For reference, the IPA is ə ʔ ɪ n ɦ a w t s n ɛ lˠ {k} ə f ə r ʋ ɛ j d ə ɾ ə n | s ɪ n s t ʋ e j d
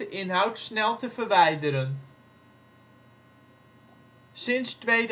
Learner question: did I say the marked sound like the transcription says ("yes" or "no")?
no